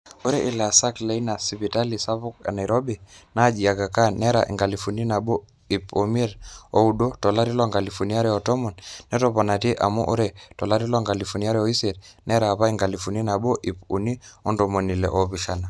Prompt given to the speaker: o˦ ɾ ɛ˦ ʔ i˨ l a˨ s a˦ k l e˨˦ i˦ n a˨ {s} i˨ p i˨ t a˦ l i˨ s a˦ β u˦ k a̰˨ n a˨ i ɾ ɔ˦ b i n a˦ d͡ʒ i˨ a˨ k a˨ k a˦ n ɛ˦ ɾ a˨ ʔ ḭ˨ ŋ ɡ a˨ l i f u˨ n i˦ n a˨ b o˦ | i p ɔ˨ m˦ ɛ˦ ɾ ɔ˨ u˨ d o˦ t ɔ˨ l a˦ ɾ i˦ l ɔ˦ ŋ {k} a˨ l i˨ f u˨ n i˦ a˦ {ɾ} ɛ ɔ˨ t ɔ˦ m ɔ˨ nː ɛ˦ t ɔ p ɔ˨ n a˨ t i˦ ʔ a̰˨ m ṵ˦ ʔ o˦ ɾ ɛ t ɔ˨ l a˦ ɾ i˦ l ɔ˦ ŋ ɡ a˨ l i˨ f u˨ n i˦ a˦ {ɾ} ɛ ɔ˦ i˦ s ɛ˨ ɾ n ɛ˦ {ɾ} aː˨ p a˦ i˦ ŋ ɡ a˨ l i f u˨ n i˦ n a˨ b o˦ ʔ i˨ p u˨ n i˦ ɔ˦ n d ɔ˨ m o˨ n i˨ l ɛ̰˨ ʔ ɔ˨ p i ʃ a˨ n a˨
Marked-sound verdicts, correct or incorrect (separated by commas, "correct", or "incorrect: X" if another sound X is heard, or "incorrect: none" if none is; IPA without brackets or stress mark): correct, incorrect: ɡ, correct, correct, correct